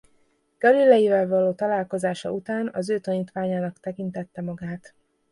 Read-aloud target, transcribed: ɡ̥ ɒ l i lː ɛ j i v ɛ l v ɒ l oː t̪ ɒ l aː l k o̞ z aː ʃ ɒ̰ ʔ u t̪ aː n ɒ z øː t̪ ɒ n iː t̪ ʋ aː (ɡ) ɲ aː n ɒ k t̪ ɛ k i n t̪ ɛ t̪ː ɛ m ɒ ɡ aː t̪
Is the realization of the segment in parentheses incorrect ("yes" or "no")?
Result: yes